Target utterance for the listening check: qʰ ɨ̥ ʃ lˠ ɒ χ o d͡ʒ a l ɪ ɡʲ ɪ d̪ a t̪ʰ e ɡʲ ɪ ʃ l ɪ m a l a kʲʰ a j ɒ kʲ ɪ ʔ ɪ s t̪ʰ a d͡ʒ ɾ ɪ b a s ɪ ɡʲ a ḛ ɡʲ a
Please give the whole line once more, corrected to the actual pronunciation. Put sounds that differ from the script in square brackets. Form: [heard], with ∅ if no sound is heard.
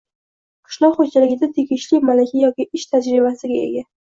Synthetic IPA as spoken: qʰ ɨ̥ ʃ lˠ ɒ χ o d͡ʒ a l ɪ ɡʲ ɪ d̪ a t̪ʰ e ɡʲ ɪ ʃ l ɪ m a l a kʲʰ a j ɒ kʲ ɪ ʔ ɪ [ʃ] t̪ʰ a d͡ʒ ɾ ɪ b a s ɪ ɡʲ a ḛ ɡʲ a